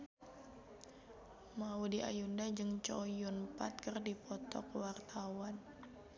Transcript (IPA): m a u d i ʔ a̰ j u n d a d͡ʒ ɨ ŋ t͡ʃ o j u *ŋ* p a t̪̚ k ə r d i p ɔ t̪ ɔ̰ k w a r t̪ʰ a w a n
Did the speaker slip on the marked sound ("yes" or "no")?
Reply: yes